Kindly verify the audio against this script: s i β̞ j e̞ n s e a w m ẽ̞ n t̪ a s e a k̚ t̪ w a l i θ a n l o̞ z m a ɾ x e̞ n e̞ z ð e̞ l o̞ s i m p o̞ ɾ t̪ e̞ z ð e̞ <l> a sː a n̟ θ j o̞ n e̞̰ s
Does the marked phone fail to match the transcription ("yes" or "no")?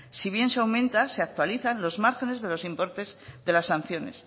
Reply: no